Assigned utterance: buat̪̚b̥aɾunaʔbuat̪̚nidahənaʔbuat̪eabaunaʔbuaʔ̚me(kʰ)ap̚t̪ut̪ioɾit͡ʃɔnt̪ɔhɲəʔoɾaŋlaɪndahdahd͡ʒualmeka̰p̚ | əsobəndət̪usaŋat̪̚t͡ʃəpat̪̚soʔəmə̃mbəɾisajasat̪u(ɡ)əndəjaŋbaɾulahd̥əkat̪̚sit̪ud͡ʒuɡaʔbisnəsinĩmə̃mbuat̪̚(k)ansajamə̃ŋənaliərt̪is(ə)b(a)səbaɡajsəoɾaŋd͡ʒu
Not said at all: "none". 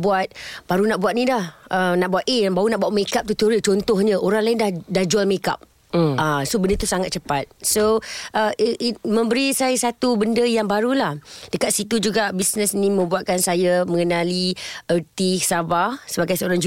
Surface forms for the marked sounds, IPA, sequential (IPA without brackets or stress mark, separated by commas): k, b, k, a, a